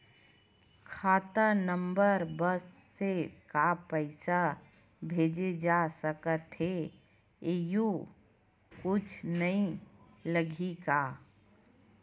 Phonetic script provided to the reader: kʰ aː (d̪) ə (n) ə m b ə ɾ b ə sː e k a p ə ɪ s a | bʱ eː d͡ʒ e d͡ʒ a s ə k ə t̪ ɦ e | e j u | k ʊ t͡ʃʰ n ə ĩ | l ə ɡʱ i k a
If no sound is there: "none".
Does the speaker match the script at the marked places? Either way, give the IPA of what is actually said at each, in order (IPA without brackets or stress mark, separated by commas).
t̪, n